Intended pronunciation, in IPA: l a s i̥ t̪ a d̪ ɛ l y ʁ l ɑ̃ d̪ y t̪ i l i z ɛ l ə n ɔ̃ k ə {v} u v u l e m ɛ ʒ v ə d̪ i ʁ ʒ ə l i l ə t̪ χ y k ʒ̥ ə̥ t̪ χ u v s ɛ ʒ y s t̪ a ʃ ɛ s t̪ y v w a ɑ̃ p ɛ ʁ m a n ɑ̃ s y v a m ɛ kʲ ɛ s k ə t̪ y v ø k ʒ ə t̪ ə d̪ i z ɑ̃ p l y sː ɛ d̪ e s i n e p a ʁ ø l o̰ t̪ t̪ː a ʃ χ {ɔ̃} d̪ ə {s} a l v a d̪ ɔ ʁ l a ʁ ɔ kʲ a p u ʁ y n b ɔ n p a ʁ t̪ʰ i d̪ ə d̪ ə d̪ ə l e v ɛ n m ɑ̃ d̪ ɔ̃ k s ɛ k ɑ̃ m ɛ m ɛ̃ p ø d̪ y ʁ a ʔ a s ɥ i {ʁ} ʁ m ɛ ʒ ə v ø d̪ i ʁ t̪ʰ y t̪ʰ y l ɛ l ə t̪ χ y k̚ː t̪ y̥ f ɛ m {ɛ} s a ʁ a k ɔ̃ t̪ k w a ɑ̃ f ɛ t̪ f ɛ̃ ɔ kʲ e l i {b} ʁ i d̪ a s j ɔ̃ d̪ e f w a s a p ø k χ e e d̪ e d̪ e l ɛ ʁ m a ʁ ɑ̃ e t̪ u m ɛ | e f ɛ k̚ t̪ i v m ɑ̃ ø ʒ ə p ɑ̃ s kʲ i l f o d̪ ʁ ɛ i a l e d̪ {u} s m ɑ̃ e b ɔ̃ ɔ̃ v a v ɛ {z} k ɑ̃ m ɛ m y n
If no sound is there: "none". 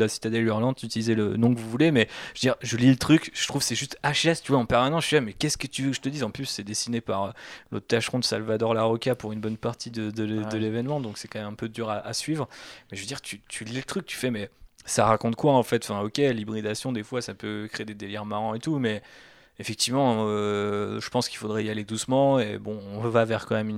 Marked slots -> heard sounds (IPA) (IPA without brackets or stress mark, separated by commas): v, ɔ̃, s, v, ɛ, b, u, ʁ